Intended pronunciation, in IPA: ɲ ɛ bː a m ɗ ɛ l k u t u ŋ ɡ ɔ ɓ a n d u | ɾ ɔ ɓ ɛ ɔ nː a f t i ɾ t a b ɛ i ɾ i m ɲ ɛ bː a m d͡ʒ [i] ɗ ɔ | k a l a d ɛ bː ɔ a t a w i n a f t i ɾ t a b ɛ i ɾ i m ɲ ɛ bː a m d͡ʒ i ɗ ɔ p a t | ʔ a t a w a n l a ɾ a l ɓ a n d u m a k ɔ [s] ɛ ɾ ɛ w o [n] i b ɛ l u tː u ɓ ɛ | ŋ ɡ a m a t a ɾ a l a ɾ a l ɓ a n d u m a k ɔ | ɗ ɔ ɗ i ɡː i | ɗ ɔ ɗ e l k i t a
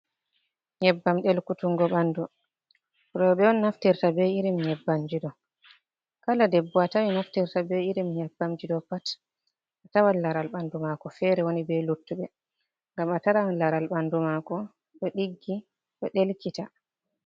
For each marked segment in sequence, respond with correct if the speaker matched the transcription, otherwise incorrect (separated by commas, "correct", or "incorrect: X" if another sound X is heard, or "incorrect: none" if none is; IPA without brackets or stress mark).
correct, incorrect: f, correct